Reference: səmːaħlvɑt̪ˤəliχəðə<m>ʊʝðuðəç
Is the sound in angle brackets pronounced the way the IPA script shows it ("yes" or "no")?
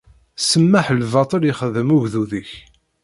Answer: yes